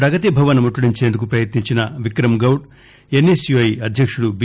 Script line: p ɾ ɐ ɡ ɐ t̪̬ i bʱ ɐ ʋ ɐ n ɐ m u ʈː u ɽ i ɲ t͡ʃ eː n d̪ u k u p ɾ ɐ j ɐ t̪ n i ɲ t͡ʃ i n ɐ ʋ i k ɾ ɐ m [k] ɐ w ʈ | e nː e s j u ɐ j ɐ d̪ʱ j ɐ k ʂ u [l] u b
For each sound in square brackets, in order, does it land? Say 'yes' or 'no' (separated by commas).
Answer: no, no